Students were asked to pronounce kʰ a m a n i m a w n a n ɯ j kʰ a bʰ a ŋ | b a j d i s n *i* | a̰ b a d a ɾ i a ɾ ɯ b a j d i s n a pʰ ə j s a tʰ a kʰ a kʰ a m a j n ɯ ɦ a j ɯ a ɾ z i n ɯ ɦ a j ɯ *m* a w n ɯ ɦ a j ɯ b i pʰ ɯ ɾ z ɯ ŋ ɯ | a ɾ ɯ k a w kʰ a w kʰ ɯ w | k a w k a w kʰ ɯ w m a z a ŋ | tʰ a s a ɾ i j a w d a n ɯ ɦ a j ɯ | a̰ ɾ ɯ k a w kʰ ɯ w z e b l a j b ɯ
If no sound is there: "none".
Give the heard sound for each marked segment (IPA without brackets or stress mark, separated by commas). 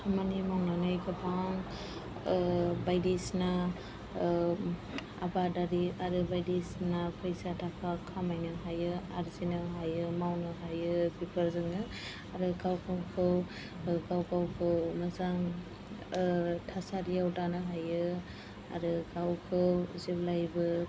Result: a, m